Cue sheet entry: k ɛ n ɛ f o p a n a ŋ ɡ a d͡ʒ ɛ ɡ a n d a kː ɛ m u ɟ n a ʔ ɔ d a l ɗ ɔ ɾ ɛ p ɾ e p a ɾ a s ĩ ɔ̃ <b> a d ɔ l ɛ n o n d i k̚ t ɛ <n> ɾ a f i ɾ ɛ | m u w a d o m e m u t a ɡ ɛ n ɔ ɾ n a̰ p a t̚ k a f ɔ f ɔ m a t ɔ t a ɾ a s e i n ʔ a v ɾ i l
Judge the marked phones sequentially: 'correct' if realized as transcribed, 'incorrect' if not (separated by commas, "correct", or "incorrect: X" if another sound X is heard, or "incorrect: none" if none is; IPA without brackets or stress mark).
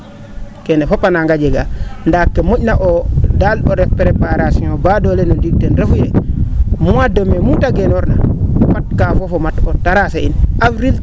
correct, correct